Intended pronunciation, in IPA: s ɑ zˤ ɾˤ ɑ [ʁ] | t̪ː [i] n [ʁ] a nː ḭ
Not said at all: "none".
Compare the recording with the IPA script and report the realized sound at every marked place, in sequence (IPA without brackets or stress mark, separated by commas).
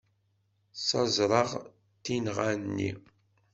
ʁ, i, ʁ